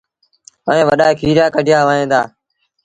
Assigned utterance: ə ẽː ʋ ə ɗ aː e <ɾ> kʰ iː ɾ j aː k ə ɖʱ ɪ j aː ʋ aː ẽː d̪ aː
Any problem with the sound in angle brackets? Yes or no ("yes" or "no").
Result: yes